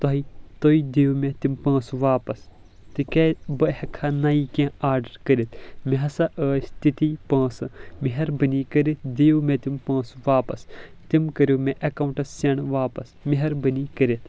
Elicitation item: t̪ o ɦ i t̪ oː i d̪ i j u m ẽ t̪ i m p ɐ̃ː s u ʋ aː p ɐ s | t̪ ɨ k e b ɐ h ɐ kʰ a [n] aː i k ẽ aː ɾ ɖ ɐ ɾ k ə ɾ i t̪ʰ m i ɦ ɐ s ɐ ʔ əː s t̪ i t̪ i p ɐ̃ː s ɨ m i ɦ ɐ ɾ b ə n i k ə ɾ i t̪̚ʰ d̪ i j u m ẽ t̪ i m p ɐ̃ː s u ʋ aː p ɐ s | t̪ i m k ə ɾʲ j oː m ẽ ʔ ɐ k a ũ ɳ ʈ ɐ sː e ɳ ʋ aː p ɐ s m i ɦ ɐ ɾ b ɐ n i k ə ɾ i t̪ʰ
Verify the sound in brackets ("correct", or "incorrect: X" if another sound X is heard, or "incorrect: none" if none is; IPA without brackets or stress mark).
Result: correct